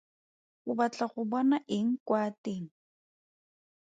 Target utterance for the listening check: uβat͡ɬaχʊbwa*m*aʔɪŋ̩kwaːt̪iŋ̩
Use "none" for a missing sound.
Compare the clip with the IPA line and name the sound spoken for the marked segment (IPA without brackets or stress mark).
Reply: n